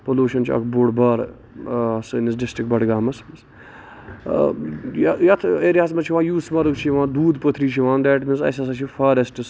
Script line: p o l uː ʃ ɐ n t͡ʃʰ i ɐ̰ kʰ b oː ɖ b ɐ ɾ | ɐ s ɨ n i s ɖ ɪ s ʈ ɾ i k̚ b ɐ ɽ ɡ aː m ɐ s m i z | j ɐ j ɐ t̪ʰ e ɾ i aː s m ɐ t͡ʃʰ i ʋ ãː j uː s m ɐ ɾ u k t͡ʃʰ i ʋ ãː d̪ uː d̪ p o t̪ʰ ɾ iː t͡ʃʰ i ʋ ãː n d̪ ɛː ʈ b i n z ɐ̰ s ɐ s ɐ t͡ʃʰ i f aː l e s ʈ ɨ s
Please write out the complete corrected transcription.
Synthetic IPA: p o l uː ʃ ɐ n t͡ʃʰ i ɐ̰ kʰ b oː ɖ b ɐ ɾ | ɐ s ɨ n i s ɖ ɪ s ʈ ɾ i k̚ b ɐ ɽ ɡ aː m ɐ s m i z | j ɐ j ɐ t̪ʰ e ɾ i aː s m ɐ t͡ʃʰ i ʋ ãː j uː s m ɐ ɾ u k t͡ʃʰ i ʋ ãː d̪ uː d̪ p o t̪ʰ ɾ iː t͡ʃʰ i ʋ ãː n d̪ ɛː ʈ m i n z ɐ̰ s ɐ s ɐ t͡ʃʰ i f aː ɾ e s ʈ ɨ s